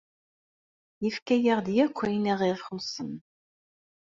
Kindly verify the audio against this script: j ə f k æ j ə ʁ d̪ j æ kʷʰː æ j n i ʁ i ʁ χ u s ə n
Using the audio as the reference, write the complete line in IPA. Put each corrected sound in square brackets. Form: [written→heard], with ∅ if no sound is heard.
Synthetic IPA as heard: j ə f k æ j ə ʁ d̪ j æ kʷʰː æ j n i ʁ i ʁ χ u s ə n